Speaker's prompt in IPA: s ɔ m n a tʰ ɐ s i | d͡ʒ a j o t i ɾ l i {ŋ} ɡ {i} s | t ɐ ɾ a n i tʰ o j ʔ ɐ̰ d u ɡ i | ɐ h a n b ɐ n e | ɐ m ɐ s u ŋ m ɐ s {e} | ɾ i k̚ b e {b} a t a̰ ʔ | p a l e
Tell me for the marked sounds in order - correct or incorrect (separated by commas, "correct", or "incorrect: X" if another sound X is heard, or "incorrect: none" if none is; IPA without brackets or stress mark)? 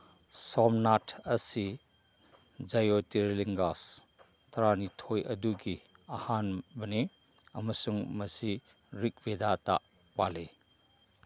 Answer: correct, incorrect: a, incorrect: i, incorrect: d